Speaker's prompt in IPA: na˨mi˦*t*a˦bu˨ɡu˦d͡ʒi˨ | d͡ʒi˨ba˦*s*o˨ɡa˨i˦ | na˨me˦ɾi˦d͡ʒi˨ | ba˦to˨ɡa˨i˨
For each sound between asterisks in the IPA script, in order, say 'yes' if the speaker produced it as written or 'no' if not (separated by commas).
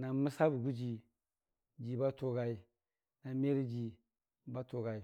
no, no